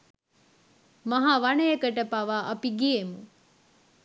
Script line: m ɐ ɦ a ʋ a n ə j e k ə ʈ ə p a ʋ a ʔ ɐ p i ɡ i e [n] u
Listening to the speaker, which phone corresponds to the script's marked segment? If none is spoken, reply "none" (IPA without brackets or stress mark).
m